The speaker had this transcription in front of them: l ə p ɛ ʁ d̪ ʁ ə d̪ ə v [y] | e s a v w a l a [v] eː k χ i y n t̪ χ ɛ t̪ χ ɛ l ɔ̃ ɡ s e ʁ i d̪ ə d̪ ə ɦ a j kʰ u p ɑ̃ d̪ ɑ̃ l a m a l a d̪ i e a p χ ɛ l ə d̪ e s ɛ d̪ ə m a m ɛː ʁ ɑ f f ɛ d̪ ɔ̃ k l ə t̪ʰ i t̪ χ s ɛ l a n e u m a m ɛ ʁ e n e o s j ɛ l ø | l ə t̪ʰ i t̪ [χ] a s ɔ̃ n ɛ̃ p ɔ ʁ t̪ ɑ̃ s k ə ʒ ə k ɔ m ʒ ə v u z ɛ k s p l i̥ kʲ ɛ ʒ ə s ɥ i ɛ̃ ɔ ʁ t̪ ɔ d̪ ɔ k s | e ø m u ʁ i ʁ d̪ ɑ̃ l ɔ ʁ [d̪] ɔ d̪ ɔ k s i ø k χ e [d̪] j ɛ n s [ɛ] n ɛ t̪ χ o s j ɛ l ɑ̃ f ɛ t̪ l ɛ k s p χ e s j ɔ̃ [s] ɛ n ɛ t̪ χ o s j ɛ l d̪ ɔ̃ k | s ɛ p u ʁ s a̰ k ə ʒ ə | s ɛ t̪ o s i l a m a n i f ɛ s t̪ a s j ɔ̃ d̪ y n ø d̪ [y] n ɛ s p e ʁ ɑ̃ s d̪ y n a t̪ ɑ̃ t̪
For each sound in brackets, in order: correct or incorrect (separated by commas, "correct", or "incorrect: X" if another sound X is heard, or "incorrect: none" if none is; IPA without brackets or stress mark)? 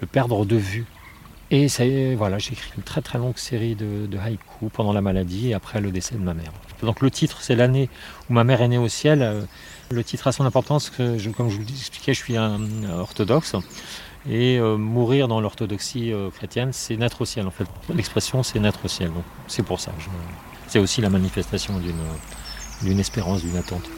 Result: correct, incorrect: ʒ, correct, incorrect: t̪, incorrect: t̪, correct, correct, correct